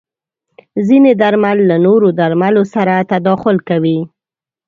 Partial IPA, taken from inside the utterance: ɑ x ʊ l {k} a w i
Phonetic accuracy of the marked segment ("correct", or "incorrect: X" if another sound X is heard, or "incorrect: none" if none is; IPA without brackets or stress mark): correct